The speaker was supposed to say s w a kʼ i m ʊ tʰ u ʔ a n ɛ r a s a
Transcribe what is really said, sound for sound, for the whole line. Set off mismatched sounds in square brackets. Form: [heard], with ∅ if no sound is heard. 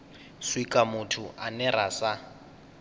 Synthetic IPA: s w [i] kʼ [a] m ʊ tʰ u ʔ a n ɛ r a s a